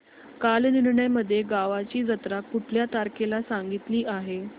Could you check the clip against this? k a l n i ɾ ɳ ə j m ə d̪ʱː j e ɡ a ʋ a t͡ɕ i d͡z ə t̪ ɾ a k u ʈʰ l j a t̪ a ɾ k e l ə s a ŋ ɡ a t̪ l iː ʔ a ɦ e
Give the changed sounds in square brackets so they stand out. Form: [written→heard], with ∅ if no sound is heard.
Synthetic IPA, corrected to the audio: k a l n i ɾ ɳ ə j m ə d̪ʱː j e ɡ a ʋ a t͡ɕ [i→iː] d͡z ə t̪ ɾ a k u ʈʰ l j a t̪ a ɾ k e l [ə→a] s a ŋ ɡ [a→i] t̪ l iː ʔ a ɦ e